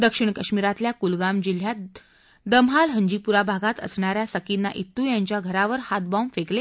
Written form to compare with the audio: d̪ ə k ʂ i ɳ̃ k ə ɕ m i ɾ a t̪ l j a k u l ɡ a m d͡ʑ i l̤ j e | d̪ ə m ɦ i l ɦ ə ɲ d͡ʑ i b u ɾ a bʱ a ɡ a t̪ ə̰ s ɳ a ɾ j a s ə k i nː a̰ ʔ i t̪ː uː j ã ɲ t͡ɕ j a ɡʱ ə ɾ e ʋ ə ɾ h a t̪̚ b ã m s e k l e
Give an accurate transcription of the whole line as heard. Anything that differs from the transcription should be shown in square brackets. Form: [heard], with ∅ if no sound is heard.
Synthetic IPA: d̪ ə k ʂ i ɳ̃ k ə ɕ m i ɾ a t̪ l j a k u l ɡ a m d͡ʑ i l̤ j [a] | d̪ ə m ɦ [a] l ɦ ə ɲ d͡ʑ i [p] u ɾ a bʱ a ɡ a t̪ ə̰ s ɳ a ɾ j a s ə k i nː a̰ ʔ i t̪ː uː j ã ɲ t͡ɕ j a ɡʱ ə ɾ [a] ʋ ə ɾ h a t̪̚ b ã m [f] e k l e